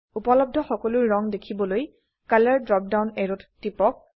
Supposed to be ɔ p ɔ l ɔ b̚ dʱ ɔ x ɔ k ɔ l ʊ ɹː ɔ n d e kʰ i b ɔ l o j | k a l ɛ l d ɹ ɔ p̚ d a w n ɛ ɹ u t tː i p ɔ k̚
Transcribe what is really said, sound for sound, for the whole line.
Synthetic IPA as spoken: u p ɔ l ɔ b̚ dʱ ɔ x ɔ k ɔ l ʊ ɹː ɔ ŋ d e kʰ i b ɔ l o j | k a l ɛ ɹ d ɹ ɔ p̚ d a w n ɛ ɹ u t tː i p ɔ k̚

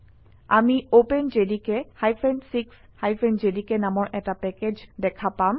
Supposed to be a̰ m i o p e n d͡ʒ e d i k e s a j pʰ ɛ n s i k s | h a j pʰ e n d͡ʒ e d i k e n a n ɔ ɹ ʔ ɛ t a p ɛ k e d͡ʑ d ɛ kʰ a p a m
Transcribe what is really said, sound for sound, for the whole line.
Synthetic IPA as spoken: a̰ m i o p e n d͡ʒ e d i k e h a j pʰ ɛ n s i k s | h a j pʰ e n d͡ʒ e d i k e n a m ɔ ɹ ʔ ɛ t a p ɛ k e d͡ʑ d ɛ kʰ a p a m

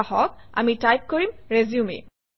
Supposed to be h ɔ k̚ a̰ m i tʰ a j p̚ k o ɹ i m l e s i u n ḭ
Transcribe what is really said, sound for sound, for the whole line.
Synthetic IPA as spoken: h ɔ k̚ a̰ m i t a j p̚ k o ɹ i m ɹ e z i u m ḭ

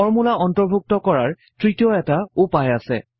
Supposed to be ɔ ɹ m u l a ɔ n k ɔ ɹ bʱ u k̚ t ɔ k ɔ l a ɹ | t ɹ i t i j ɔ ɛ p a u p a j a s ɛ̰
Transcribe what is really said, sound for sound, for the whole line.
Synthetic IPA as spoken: ɔ ɹ m u l a ɔ n t ɔ ɹ bʱ u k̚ t ɔ k ɔ ɹ a ɹ | t ɹ i t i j ɔ ɛ t a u p a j a s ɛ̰

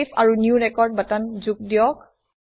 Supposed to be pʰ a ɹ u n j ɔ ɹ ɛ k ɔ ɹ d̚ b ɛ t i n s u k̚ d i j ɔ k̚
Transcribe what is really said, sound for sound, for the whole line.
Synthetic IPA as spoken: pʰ a ɹ u n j u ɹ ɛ k ɔ ɹ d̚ b a t a n z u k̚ d i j ɔ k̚

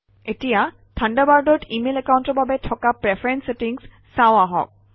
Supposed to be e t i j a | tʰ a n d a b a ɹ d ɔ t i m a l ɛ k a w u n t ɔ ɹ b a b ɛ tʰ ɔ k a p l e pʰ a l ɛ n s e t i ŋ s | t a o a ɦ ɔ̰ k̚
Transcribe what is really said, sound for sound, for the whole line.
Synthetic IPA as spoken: e t i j a | tʰ a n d a b a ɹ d ɔ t i m e l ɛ k a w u n t ɔ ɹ b a b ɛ tʰ ɔ k a p ɹ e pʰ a ɹ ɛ n s e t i ŋ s | s a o a ɦ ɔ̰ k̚

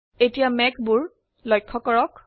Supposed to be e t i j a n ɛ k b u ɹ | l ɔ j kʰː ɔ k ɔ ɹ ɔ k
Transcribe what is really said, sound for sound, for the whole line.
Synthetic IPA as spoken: e t i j a m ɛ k b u ɹ | l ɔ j kʰː ɔ k ɔ ɹ ɔ k

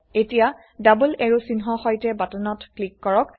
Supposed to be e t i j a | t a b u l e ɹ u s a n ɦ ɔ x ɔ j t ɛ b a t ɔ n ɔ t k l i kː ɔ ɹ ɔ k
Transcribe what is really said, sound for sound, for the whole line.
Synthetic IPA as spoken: e t i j a | d a b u l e ɹ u s i n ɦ ɔ x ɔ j t ɛ b a t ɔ n ɔ t k l i kː ɔ ɹ ɔ k

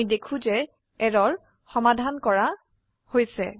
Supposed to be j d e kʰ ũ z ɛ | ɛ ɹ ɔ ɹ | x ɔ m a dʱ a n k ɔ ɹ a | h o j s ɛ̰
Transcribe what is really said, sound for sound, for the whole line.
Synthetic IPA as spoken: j d e kʰ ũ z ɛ | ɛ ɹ ɔ ɹ | x ɔ m a dʱ a n k ɔ ɹ a | h o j s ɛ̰

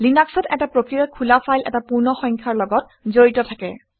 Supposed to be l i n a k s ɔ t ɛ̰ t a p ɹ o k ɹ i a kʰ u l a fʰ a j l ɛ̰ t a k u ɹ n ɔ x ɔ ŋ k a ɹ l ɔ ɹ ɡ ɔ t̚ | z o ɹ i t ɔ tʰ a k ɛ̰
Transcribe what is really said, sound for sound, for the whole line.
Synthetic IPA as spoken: l i n a k s ɔ t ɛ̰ t a p ɹ o k ɹ i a kʰ u l a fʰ a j l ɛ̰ t a p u ɹ n ɔ x ɔ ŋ kʰ a ɹ l ɔ ɡ ɔ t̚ | z o ɹ i t ɔ tʰ a k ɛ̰

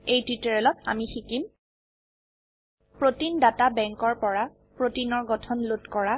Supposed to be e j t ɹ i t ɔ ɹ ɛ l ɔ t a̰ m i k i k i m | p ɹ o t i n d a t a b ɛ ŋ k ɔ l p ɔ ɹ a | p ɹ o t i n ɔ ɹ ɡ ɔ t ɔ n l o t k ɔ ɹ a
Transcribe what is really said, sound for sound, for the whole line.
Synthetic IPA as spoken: e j t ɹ i t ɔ ɹ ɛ l ɔ t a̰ m i x i k i m | p ɹ o t i n d a t a b ɛ ŋ k ɔ ɹ p ɔ ɹ a | p ɹ o t i n ɔ ɹ ɡ ɔ tʰ ɔ n l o t k ɔ ɹ a

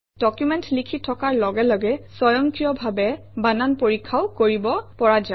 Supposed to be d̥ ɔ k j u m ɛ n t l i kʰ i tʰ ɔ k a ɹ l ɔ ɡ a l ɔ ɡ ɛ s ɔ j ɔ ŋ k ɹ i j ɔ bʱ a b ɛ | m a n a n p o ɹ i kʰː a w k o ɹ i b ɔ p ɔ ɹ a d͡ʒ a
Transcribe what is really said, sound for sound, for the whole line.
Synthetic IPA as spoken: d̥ ɔ k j u m ɛ n t l i kʰ i tʰ ɔ k a ɹ l ɔ ɡ ɛ l ɔ ɡ ɛ s ɔ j ɔ ŋ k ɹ i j ɔ bʱ a b ɛ | b a n a n p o ɹ i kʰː a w k o ɹ i b ɔ p ɔ ɹ a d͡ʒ a

